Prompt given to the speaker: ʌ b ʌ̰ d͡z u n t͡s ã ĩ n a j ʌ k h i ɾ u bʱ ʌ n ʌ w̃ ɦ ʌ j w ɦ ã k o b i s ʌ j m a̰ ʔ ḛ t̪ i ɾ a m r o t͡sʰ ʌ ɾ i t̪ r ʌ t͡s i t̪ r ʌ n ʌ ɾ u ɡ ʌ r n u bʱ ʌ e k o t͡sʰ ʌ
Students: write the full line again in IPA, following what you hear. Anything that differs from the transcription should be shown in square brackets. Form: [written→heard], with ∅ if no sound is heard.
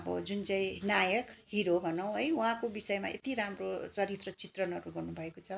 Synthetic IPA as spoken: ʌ b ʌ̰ d͡z u n t͡s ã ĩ n a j ʌ k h i ɾ [u→o] bʱ ʌ n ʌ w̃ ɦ ʌ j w ɦ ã k o b i s ʌ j m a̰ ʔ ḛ t̪ i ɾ a m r o [t͡sʰ→t͡s] ʌ ɾ i t̪ r ʌ t͡s i t̪ r ʌ n ʌ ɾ u ɡ ʌ r n u bʱ ʌ e k o t͡sʰ ʌ

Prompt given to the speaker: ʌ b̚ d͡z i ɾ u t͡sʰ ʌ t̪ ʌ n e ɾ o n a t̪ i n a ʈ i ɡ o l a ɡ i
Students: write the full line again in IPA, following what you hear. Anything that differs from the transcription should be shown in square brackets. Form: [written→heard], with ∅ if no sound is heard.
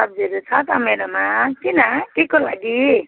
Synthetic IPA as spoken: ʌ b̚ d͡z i ɾ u t͡sʰ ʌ t̪ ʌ [n→m] e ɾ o [n→m] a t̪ i n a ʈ i [ɡ→k] o l a ɡ i

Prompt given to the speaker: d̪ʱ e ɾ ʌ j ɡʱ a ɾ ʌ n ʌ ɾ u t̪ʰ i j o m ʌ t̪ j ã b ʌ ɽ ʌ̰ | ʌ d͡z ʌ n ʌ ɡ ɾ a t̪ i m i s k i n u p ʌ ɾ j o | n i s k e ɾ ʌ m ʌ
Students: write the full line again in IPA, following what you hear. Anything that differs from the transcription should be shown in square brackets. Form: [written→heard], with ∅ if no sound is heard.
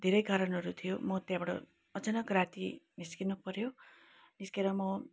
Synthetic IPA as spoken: d̪ʱ e ɾ ʌ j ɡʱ a ɾ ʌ n ʌ ɾ u t̪ʰ i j o m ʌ t̪ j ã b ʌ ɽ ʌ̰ | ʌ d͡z ʌ n ʌ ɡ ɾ a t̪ i m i s k i n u p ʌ ɾ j o | n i s k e ɾ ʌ m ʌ

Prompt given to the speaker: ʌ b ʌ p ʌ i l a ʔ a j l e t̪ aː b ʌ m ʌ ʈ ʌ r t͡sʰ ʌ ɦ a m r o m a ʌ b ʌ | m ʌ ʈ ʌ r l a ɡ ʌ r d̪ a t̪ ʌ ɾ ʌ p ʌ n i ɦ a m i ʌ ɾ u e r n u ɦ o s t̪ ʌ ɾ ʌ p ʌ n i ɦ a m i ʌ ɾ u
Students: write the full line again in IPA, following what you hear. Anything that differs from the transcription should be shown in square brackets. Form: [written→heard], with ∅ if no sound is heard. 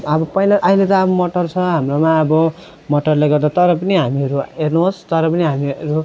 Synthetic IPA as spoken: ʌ b ʌ p ʌ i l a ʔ a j l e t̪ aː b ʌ m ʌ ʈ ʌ r t͡sʰ ʌ ɦ a m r o m a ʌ b ʌ | m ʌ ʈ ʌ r l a ɡ ʌ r d̪ a t̪ ʌ ɾ ʌ p ʌ n i ɦ a m i ʌ ɾ u e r n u ɦ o s t̪ ʌ ɾ ʌ p ʌ n i ɦ a m i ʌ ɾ u

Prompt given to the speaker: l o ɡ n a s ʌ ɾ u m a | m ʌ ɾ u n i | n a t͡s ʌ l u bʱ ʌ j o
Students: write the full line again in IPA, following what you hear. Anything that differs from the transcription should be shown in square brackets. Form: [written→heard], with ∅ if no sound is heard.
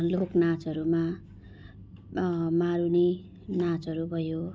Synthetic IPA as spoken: l o [ɡ→k] n a [s→t͡s] ʌ ɾ u m a | m [ʌ→a] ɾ u n i | n a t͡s ʌ [l→ɾ] u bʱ ʌ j o

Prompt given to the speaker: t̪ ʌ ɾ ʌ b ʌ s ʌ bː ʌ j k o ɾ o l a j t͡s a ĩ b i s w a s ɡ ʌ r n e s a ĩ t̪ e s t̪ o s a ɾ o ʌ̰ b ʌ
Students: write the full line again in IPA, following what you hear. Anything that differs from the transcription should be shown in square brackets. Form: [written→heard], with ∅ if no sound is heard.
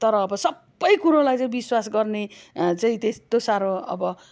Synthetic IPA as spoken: t̪ ʌ ɾ [ʌ→ʌː] b ʌ s ʌ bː ʌ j k [o→u] ɾ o l a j t͡s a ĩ b i s w a s ɡ ʌ r n e [s→t͡s] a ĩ t̪ e s t̪ o s a ɾ o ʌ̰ b ʌ

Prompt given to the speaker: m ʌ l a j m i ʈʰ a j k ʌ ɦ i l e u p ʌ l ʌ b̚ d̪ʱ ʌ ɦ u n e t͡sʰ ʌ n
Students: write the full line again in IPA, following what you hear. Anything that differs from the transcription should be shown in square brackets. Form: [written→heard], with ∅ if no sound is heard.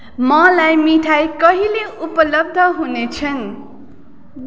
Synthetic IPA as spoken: m ʌ l a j m i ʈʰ a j k ʌ ɦ i l e u p ʌ l ʌ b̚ d̪ʱ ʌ ɦ u n e t͡sʰ ʌ n

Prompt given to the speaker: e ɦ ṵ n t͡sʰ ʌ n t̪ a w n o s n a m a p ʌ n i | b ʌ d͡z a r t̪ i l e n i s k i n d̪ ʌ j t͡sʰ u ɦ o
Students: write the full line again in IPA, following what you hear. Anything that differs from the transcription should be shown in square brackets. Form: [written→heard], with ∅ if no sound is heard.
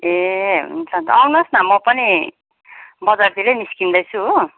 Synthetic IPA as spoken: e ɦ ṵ n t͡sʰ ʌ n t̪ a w n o s n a m [a→ʌ] p ʌ n i | b ʌ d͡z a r t̪ i l e n i s k i n d̪ ʌ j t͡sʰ u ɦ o

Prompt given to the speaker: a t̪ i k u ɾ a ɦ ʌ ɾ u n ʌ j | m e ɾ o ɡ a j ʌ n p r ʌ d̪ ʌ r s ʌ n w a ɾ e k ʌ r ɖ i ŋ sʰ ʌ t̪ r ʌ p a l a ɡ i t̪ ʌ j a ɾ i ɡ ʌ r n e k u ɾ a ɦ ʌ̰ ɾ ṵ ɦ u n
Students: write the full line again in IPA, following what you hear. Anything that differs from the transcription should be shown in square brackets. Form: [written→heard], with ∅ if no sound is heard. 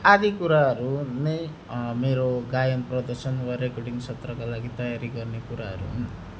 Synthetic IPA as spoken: a [t̪→d̪] i k u ɾ a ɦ ʌ ɾ u n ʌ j | m e ɾ o ɡ a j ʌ n p r ʌ d̪ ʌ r s ʌ n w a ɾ e k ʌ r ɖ i ŋ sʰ ʌ t̪ r ʌ [p→k] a l a ɡ i t̪ ʌ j a ɾ i ɡ ʌ r n e k u ɾ a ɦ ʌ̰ ɾ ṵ ɦ u n

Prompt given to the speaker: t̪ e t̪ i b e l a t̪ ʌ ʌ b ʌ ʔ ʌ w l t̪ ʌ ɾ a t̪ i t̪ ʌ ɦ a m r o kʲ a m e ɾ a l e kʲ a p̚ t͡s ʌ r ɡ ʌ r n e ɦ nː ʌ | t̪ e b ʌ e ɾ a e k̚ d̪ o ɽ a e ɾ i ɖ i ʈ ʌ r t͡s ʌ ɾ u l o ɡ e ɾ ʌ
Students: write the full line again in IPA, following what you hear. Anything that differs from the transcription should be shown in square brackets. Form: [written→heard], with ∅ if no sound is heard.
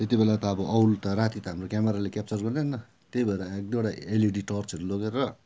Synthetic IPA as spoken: t̪ e t̪ i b e l a t̪ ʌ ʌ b ʌ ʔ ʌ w l t̪ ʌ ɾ a t̪ i t̪ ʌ ɦ a m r o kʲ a m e ɾ a l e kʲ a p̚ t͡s ʌ r ɡ ʌ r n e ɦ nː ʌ | t̪ e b ʌ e ɾ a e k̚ d̪ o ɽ a e [ɾ→l] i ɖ i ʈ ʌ r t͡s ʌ ɾ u l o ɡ e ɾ ʌ

